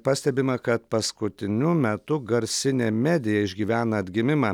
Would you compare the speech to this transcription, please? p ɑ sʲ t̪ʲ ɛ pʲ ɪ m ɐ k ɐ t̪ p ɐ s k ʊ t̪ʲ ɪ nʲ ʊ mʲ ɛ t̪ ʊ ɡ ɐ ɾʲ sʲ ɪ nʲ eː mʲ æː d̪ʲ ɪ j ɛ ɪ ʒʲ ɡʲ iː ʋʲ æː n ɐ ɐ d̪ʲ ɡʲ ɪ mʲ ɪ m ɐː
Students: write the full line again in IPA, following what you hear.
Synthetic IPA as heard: p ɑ sʲ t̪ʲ ɛ bʲ ɪ m ɐ k ɐ t̪ p ɐ s k ʊ t̪ʲ ɪ nʲ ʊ mʲ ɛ t̪ ʊ ɡ ɐ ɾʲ sʲ ɪ nʲ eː mʲ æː d̪ʲ ɪ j ɛ ɪ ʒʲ ɡʲ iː ʋʲ æː n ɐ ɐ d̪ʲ ɡʲ ɪ mʲ ɪ m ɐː